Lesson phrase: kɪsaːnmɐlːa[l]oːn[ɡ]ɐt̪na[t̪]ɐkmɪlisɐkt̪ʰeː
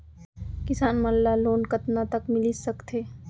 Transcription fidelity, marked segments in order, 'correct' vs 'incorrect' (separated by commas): correct, incorrect, correct